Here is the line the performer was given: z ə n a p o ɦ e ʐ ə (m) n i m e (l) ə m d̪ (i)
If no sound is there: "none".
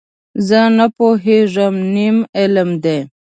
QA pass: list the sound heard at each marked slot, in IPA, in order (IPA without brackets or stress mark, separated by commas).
m, l, e